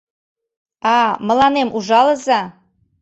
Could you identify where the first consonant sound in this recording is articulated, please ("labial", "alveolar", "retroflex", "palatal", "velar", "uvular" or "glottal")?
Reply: labial